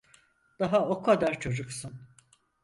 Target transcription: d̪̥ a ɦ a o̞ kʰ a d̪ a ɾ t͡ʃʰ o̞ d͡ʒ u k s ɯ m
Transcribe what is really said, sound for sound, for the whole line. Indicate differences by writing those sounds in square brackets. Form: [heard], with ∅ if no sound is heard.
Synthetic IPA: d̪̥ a ɦ a o̞ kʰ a d̪ a ɾ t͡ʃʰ o̞ d͡ʒ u k s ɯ [n]